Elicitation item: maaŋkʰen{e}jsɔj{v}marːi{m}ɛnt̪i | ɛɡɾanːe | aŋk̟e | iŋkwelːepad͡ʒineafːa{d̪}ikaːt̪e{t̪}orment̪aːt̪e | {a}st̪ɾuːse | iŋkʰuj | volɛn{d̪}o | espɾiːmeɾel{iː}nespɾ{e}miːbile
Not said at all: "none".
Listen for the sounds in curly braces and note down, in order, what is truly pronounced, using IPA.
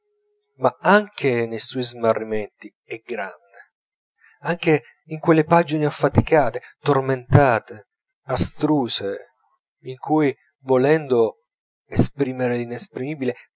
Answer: e, z, m, t̪, t̪, a, d̪, i, i

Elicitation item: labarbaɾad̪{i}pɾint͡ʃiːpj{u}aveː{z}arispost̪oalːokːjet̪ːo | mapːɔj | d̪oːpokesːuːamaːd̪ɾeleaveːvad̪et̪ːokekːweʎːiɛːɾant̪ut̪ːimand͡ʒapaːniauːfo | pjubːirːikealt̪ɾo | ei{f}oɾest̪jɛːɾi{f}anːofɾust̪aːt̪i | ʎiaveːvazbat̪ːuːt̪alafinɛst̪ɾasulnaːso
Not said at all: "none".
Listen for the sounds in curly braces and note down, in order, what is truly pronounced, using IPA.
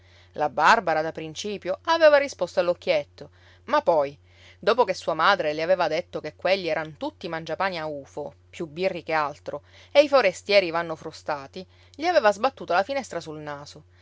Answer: a, o, v, f, v

